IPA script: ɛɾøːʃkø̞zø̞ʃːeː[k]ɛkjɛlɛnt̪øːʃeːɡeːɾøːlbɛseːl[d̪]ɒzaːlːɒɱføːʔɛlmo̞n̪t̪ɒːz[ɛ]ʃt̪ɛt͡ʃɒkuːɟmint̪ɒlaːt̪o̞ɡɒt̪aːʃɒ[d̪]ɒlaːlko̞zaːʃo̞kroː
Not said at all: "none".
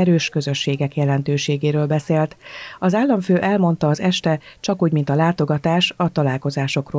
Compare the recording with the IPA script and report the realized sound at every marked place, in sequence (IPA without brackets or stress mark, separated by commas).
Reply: ɡ, t̪, ɛ, t̪